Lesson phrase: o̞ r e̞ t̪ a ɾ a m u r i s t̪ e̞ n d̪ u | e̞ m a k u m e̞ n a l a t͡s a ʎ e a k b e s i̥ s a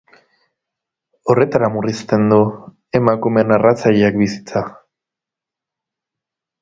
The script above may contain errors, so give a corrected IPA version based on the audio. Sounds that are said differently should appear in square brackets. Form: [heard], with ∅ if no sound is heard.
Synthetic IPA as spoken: o̞ r e̞ t̪ a ɾ a m u r i s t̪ e̞ n d̪ u | e̞ m a k u m e̞ n a [r] a t͡s a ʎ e a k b [i] s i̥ [t͡s] a